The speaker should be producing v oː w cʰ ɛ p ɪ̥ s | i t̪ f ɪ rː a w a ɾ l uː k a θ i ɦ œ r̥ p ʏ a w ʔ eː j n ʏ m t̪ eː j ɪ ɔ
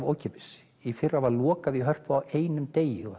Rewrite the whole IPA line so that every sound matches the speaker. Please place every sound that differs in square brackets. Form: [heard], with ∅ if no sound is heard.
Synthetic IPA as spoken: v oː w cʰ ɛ p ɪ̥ s | i [∅] f ɪ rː a [v] a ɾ l [ɔː] k a [ð] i ɦ œ r̥ p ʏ a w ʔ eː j n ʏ m t̪ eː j ɪ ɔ